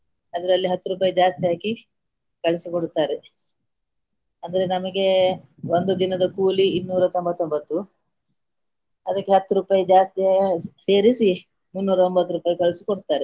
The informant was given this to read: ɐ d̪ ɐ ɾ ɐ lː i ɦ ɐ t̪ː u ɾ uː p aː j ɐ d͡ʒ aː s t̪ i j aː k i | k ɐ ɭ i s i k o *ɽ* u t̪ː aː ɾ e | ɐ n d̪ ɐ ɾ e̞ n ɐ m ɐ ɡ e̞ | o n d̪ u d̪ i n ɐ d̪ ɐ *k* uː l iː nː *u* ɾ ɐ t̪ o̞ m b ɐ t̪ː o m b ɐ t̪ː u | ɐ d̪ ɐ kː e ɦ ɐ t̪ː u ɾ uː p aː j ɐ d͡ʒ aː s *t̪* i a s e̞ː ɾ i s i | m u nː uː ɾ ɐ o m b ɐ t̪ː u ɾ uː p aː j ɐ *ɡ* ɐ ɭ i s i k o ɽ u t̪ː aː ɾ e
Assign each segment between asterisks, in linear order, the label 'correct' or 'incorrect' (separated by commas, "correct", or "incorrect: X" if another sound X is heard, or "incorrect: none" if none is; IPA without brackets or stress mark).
correct, correct, incorrect: uː, correct, incorrect: k